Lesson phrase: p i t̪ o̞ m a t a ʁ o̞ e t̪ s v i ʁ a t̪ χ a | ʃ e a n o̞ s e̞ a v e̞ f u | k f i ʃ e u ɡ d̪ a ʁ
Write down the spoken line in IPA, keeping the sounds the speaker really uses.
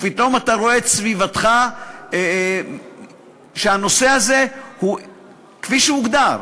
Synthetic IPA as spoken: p i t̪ o̞ m a t a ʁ o̞ e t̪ s v i v a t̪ χ a | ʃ e a n o̞ s e̞ a z e̞ h u | k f i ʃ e u ɡ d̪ a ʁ